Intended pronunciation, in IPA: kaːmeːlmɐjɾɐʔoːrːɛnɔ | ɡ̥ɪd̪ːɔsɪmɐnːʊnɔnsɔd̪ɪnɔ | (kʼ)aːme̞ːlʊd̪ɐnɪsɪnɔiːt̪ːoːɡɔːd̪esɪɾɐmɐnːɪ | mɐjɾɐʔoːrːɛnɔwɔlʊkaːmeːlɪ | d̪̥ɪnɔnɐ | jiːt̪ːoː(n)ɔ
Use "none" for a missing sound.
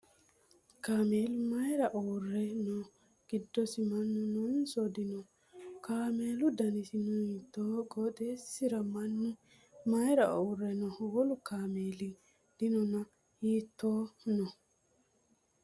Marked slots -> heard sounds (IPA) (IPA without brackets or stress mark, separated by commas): k, n